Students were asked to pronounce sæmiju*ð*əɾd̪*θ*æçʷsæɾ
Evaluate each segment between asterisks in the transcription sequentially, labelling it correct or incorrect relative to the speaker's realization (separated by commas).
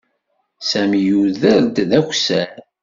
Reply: correct, incorrect